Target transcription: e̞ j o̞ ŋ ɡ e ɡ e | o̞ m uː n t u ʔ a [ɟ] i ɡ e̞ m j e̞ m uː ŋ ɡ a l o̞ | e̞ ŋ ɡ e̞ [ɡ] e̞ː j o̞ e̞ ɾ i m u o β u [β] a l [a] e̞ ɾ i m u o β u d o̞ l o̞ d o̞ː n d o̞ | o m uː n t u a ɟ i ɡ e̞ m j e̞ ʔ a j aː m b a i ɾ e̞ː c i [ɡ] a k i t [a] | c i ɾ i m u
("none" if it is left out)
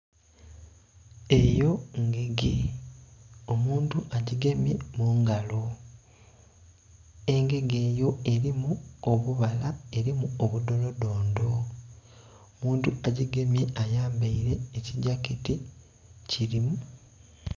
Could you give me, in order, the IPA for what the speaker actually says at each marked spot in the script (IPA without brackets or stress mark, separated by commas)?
ɟ, ɡ, β, a, ɟ, i